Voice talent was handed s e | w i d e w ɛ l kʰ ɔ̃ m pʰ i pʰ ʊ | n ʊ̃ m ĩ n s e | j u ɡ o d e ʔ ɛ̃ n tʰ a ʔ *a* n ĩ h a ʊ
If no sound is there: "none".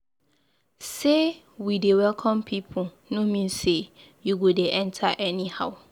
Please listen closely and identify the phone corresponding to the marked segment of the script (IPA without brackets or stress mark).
ɛ